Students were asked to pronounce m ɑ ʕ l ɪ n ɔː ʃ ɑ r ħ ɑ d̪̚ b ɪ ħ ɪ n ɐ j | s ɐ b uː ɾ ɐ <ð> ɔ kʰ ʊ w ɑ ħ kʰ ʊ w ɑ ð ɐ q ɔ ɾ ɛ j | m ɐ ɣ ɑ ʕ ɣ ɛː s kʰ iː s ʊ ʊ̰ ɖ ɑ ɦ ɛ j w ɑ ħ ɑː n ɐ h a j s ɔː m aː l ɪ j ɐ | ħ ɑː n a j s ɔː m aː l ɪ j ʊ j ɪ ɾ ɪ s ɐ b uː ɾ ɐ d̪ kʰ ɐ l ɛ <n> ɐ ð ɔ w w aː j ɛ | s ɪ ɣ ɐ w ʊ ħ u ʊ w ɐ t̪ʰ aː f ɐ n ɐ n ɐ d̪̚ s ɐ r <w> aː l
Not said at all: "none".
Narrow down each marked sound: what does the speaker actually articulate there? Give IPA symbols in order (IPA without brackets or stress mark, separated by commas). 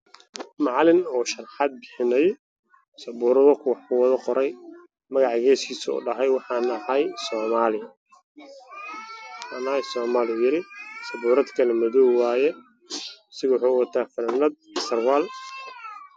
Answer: ð, m, w